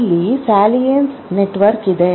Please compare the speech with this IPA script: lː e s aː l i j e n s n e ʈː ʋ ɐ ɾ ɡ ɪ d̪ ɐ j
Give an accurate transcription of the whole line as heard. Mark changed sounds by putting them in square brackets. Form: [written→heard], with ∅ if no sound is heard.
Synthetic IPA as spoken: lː [e→i] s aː l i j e n s n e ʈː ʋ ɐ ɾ [ɡ→k] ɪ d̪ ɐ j